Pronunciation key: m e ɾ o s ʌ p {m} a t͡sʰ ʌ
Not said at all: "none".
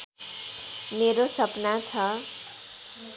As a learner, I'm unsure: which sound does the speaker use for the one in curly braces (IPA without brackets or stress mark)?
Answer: n